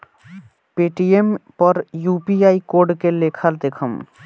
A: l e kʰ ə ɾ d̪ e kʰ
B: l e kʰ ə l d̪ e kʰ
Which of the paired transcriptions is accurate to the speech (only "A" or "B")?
B